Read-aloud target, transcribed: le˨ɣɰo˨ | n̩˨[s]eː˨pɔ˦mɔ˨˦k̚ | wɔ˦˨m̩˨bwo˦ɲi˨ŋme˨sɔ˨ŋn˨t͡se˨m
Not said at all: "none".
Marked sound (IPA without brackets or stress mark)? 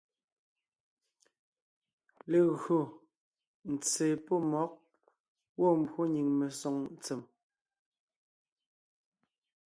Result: t͡s